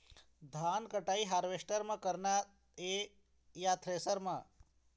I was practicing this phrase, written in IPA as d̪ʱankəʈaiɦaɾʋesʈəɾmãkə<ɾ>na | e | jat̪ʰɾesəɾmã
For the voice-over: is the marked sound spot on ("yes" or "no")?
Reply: yes